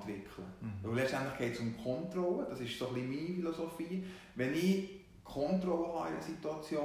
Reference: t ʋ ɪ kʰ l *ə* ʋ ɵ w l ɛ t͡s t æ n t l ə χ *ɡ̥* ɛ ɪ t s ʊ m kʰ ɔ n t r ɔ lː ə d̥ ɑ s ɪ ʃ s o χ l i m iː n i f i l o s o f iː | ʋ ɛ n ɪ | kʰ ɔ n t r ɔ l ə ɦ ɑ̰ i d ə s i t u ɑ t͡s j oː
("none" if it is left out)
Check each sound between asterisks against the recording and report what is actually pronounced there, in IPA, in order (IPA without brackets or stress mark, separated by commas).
ə, ɡ̥